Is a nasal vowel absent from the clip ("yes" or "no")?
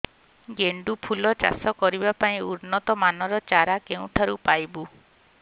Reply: no